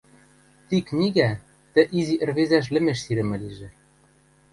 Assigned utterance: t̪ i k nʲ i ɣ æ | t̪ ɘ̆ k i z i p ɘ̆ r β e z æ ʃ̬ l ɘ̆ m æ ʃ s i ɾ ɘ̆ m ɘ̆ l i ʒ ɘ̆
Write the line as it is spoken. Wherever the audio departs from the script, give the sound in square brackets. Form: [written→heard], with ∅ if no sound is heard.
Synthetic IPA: t̪ i k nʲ i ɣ æ | t̪ ɘ̆ [k→ʔ] i z i [p→ʔ] ɘ̆ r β e z æ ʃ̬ l ɘ̆ m [æ→e] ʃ s i ɾ ɘ̆ m ɘ̆ l i ʒ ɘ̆